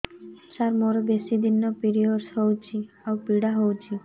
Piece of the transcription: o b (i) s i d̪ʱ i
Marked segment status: incorrect: e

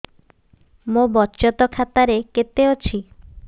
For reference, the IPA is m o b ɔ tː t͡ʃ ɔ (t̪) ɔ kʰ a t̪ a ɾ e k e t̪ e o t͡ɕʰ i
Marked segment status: correct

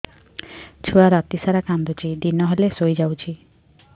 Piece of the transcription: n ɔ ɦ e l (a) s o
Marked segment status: incorrect: e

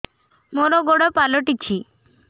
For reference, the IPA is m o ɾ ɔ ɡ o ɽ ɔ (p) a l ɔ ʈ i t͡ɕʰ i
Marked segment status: correct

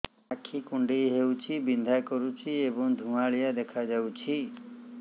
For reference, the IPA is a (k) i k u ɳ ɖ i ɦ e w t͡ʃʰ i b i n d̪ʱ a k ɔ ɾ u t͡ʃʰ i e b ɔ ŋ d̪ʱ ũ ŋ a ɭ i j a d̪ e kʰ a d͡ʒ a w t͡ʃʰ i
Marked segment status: incorrect: kʰ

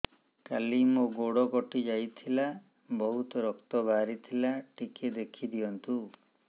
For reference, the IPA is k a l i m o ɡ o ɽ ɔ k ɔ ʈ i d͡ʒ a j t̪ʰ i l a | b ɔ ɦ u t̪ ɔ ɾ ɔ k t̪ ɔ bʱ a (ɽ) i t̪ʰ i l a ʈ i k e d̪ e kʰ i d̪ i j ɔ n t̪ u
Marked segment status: incorrect: ɾ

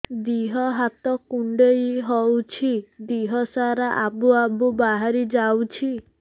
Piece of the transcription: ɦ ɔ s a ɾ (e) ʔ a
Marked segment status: incorrect: a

